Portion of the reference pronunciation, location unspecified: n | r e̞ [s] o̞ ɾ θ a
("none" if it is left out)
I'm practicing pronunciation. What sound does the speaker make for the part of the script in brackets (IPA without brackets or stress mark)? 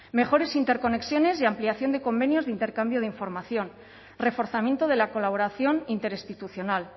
f